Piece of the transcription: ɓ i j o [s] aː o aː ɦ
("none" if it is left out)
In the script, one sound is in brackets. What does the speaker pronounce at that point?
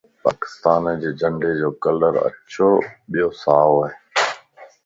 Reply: s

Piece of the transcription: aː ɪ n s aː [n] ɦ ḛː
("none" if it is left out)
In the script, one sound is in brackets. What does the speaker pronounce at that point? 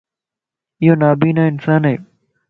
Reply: n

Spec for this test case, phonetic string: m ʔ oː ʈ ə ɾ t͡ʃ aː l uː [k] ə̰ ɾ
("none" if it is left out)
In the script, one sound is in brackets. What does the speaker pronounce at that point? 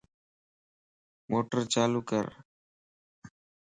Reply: k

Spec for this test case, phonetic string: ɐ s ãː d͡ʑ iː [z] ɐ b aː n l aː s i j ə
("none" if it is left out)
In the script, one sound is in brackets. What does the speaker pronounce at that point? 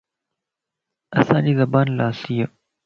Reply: z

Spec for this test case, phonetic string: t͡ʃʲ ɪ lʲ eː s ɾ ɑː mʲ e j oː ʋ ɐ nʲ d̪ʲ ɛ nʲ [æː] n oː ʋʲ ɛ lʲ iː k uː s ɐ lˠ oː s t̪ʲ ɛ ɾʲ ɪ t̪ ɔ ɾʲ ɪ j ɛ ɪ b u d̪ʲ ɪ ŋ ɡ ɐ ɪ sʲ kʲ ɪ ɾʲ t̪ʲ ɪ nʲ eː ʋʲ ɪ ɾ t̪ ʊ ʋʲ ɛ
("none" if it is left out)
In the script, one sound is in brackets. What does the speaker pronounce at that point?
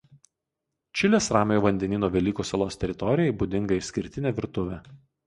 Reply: iː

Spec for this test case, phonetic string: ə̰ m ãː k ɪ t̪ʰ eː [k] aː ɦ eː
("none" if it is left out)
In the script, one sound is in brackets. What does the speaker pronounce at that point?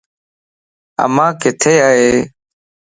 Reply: none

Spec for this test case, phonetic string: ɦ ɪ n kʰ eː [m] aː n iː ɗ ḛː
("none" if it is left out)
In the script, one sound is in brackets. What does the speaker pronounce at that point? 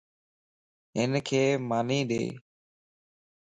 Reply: m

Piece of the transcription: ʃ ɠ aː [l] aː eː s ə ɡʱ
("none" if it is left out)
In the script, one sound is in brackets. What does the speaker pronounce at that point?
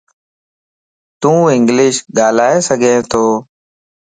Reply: l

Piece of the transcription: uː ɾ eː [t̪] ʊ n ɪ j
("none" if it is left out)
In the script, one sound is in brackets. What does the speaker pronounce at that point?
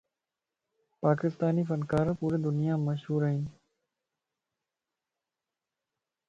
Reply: d̪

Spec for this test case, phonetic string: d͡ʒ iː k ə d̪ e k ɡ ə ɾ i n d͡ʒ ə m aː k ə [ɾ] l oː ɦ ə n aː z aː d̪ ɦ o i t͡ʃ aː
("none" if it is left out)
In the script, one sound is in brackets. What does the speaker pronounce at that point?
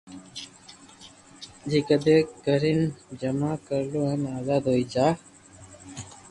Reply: ɾ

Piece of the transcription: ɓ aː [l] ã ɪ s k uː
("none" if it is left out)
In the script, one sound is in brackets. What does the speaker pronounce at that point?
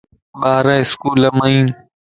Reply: ɾ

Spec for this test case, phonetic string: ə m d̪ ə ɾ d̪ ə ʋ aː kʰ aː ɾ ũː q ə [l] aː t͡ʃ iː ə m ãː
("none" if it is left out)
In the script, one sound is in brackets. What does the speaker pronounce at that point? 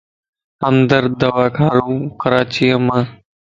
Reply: ɾ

